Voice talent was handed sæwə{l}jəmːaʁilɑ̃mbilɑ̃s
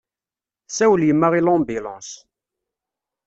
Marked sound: correct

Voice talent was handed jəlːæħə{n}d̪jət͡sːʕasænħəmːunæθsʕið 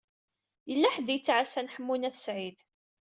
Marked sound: incorrect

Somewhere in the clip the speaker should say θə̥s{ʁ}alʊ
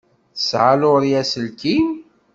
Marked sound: incorrect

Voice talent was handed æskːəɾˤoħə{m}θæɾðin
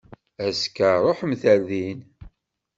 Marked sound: correct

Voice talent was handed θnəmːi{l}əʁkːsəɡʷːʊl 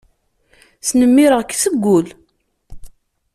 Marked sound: incorrect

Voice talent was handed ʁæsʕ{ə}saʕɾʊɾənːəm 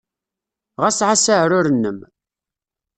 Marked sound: incorrect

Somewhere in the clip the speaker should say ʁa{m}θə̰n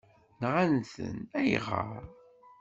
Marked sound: incorrect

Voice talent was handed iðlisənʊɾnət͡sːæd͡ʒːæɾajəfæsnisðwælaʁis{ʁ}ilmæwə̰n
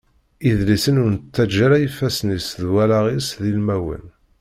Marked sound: incorrect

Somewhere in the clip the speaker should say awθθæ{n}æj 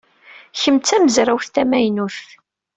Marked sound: incorrect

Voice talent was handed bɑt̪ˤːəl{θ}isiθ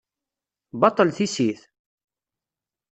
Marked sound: correct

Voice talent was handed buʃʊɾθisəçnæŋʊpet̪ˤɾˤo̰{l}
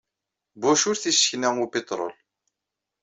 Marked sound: correct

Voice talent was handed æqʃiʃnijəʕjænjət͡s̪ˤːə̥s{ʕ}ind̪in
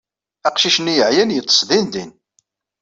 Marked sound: incorrect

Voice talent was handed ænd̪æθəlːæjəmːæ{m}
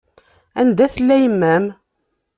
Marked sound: correct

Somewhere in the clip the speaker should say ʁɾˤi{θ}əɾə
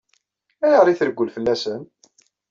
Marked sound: correct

